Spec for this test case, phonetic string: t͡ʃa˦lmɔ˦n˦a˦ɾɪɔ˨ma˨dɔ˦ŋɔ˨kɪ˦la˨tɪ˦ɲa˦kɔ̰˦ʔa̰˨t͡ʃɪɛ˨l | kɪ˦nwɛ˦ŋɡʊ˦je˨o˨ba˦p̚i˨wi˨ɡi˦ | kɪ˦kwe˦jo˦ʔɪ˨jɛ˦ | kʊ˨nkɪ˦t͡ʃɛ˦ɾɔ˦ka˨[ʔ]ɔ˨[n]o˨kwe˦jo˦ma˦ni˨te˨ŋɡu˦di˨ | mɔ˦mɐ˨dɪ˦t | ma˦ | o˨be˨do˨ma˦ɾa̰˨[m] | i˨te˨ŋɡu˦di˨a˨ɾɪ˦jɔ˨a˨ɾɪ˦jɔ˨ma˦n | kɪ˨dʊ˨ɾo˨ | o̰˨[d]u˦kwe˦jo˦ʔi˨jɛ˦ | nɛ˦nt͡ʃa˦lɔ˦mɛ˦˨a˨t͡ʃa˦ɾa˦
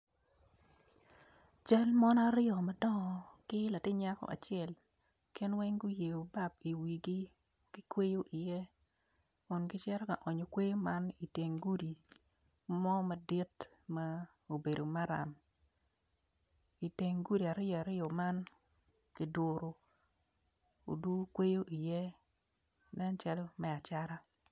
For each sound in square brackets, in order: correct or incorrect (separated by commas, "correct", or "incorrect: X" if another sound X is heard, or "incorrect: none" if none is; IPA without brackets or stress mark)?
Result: correct, incorrect: ɲ, correct, correct